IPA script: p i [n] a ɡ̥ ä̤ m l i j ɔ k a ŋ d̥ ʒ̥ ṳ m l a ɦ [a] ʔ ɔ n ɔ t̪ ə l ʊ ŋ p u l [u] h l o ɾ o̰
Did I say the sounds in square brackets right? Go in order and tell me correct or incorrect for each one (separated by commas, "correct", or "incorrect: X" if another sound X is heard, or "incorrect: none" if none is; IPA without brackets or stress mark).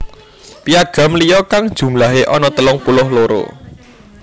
incorrect: none, incorrect: e, incorrect: ʊ